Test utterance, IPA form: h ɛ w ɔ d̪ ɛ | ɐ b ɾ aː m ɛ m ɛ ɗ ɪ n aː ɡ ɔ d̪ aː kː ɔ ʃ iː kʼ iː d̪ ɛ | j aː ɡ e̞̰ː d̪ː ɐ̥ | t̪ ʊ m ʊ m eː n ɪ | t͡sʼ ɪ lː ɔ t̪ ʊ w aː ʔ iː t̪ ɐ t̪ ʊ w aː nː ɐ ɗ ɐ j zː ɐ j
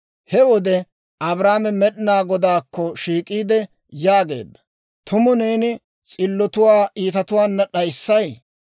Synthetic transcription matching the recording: h ɛ w ɔ d̪ ɛ | ɐ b ɾ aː m ɛ m ɛ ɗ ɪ n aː ɡ ɔ d̪ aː kː ɔ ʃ iː kʼ iː d̪ ɛ | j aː ɡ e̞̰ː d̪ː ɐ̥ | t̪ ʊ m ʊ n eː n ɪ | t͡sʼ ɪ lː ɔ t̪ ʊ w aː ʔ iː t̪ ɐ t̪ ʊ w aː nː ɐ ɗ ɐ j sː ɐ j